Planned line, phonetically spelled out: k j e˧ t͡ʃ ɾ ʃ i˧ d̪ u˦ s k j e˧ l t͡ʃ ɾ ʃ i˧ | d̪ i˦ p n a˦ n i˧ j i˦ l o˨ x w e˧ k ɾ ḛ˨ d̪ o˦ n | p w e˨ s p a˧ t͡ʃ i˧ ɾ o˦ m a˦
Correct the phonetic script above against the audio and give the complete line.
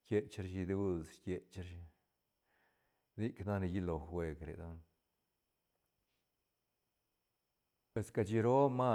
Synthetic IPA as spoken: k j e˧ t͡ʃ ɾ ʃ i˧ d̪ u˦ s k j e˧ t͡ʃ ɾ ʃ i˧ | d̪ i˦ k n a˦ n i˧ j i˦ l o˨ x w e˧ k ɾ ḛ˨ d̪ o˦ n | p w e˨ s k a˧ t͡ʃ i˧ ɾ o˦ m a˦